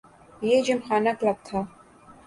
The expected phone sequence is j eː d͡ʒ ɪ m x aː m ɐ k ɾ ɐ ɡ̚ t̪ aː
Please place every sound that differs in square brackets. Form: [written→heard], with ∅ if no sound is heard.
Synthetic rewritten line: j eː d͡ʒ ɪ m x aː [m→n] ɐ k [ɾ→l] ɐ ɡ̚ [t̪→t̪ʰ] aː